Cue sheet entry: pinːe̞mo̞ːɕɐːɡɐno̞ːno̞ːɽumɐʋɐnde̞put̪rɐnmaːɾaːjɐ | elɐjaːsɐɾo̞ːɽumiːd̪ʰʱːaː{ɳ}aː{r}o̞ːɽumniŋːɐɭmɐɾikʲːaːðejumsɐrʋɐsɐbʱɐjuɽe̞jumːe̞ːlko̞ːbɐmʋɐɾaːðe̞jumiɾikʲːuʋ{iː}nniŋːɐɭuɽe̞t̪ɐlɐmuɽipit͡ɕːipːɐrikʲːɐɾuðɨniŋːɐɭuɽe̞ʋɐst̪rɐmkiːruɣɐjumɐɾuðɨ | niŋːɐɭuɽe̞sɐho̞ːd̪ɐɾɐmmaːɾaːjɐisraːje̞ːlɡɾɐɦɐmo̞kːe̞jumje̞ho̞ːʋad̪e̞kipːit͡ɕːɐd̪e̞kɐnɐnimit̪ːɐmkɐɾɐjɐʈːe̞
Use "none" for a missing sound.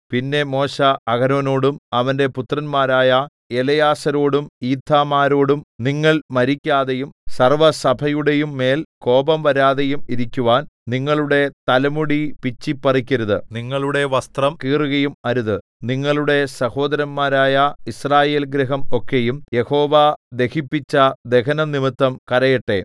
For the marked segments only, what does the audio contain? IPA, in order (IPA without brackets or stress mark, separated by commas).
m, ɾ, aː